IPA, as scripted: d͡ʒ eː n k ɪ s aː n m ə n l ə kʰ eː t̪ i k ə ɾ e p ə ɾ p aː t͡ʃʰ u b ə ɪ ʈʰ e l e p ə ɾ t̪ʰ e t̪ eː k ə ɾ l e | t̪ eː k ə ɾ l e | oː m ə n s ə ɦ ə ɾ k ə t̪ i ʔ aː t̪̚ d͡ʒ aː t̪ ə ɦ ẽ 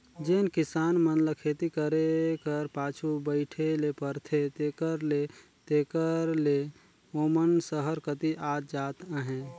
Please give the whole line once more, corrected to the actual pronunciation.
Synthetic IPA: d͡ʒ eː n k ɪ s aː n m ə n l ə kʰ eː t̪ i k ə ɾ e k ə ɾ p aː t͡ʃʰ u b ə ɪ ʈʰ e l e p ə ɾ t̪ʰ e t̪ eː k ə ɾ l e | t̪ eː k ə ɾ l e | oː m ə n s ə ɦ ə ɾ k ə t̪ i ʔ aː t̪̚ d͡ʒ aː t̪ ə ɦ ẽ